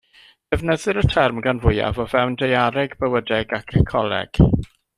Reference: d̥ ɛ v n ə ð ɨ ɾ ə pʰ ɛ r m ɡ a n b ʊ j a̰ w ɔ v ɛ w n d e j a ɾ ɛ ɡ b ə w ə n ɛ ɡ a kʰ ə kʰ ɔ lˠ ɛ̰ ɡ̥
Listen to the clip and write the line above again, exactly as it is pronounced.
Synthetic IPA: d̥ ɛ v n ə ð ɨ ɾ ə tʰ ɛ r m ɡ a n v ʊ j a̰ v ɔ v ɛ w n d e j a ɾ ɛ ɡ b ə w ə d ɛ ɡ a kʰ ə kʰ ɔ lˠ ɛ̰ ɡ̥

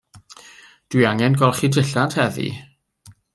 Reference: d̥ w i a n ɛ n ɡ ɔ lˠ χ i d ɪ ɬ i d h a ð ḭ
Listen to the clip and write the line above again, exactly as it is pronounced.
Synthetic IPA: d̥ w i a ŋ ɛ n ɡ ɔ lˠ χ i d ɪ ɬ a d h ɛ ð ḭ

